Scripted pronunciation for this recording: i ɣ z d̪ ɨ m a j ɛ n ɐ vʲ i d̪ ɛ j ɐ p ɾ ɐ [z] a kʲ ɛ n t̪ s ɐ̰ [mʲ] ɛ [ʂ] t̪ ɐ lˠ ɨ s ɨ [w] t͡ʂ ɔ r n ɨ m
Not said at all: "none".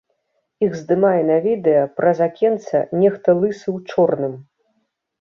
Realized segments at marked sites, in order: z, nʲ, x, w

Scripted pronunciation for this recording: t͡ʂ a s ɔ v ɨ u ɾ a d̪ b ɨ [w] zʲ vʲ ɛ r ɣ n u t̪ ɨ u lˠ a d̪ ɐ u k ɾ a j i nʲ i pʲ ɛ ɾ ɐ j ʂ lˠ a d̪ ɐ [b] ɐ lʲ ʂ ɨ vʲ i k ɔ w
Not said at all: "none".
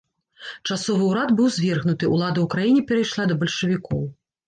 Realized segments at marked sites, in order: w, b

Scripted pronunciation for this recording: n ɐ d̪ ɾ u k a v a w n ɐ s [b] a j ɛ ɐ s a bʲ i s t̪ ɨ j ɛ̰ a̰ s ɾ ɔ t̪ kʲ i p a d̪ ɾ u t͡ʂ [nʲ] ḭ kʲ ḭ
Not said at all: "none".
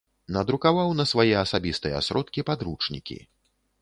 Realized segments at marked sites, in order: v, nʲ

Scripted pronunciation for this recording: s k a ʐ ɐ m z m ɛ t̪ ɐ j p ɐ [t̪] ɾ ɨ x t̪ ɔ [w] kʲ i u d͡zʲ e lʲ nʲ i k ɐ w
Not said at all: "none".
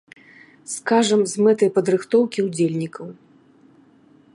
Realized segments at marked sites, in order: d̪, w

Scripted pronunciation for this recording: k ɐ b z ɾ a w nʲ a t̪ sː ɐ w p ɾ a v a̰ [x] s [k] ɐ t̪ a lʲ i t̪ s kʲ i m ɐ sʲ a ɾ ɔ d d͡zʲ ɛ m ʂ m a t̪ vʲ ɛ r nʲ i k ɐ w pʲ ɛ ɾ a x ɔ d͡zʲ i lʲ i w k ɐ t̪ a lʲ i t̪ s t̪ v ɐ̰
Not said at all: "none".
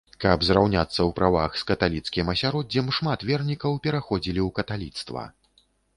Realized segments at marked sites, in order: x, k

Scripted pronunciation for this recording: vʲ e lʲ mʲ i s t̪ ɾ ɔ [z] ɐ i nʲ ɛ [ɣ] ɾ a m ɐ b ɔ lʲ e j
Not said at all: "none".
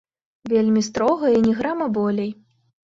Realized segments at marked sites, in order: ɣ, ɣ

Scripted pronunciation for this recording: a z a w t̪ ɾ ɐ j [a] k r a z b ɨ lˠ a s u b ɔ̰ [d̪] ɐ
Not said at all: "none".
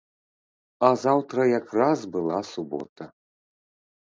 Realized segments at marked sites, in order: a, t̪

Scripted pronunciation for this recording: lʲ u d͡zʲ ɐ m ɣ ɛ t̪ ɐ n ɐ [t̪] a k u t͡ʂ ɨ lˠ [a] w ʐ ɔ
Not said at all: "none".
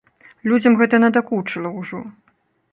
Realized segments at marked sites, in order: d̪, ɐ

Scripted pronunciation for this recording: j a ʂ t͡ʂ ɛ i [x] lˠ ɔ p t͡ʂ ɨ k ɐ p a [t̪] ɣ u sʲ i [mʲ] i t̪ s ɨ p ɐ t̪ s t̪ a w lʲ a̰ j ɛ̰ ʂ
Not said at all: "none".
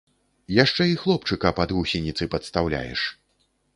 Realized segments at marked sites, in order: x, d̪, nʲ

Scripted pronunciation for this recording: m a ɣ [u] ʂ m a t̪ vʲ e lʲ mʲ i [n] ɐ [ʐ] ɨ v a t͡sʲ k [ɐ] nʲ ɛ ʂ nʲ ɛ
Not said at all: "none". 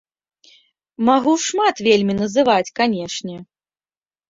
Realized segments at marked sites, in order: u, n, z, a

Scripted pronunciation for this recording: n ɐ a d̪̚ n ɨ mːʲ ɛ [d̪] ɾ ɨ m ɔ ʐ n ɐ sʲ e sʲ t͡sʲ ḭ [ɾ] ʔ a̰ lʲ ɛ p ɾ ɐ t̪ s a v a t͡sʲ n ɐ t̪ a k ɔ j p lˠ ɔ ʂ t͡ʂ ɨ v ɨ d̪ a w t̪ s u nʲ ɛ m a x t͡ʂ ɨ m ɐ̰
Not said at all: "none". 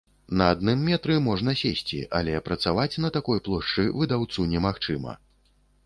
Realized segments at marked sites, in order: t̪, none

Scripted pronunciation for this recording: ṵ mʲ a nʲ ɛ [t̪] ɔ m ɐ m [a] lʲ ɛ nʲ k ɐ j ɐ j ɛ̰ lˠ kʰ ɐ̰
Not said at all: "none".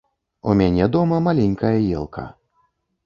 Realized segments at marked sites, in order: d̪, a

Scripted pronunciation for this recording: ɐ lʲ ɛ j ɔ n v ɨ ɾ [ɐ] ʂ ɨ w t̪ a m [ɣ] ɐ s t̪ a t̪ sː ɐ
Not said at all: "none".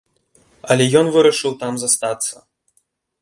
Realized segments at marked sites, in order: ɐ, z

